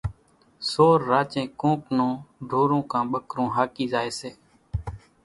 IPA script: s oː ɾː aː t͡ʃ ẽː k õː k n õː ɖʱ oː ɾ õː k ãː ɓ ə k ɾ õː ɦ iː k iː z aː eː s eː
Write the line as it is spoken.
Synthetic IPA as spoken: s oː ɾː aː t͡ʃ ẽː k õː k n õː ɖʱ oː ɾ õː k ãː ɓ ə k ɾ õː ɦ aː k iː z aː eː s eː

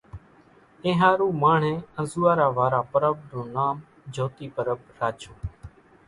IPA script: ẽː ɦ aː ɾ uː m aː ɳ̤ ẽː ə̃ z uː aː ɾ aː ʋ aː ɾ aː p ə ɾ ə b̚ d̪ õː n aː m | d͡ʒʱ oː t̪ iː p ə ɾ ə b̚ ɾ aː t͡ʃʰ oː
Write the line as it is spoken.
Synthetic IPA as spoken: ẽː ɦ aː ɾ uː m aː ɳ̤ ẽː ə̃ z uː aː ɾ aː ʋ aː ɾ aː p ə ɾ ə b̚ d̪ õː n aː m | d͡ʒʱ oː t̪ iː p ə ɾ ə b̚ ɾ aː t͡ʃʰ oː

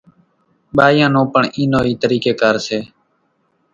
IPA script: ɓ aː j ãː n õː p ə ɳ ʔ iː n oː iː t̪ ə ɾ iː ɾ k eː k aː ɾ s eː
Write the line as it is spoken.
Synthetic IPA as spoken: ɓ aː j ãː n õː p ə ɳ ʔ iː n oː iː t̪ ə ɾ iː k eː k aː ɾ s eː

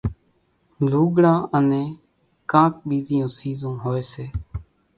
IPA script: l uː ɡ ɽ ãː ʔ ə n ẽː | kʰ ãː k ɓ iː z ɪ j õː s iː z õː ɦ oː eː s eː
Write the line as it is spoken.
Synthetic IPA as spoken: l uː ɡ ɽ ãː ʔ ə n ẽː | k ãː k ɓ iː z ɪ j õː s iː z õː ɦ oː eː s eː

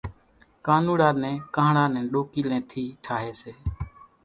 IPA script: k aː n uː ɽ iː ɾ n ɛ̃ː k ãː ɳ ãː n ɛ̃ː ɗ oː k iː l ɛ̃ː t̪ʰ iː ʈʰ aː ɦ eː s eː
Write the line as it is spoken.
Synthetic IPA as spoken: k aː n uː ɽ aː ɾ n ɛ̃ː k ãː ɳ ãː n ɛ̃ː ɗ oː k iː l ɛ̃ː t̪ʰ iː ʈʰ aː ɦ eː s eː

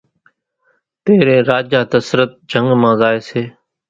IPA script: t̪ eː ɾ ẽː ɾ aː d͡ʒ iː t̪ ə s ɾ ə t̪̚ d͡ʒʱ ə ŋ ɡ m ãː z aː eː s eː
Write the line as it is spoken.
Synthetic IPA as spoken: t̪ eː ɾ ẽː ɾ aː d͡ʒ aː t̪ ə s ɾ ə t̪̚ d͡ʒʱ ə ŋ ɡ m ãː z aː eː s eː

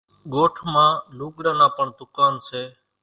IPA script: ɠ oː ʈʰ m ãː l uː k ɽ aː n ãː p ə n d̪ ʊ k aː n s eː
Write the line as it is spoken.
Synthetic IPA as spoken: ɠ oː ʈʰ m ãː l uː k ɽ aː n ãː p ə ɳ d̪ ʊ k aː n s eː

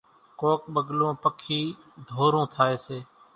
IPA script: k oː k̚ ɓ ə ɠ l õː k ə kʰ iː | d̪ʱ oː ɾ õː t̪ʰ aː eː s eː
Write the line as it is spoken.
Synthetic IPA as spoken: k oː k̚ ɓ ə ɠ l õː p ə kʰ iː | d̪ʱ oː ɾ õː t̪ʰ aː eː s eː

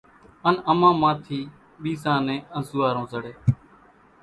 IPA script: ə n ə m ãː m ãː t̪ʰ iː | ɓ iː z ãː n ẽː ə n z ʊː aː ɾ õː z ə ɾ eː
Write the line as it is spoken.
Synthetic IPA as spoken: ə n ə m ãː m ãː t̪ʰ iː | ɓ iː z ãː n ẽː ə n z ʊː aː ɾ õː z ə ɽ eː

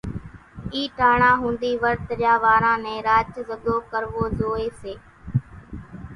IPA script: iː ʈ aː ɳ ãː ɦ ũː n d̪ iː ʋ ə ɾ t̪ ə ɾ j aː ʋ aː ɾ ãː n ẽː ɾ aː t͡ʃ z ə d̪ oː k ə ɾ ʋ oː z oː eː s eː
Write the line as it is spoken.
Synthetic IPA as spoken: iː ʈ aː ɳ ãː ɦ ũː n d̪ iː ʋ ə ɾ t̪ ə ɾ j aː ʋ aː ɾ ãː n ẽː ɾ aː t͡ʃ z ə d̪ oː k ə ɾ ʋ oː z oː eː s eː

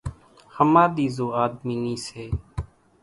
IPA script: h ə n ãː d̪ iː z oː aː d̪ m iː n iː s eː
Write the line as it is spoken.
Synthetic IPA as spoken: h ə m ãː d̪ iː z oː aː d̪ m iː n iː s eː

